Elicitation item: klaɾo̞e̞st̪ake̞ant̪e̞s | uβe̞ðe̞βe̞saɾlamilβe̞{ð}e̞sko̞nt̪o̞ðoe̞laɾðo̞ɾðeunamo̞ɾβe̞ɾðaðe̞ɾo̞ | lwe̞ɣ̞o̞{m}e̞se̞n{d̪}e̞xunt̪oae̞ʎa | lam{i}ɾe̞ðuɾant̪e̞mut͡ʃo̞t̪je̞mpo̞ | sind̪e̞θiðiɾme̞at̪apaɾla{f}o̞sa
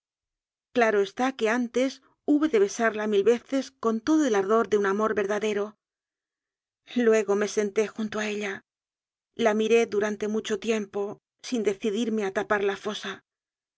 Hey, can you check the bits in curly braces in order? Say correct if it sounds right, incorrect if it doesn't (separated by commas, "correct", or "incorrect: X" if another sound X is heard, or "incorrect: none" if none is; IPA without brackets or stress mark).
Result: incorrect: θ, correct, incorrect: t̪, correct, correct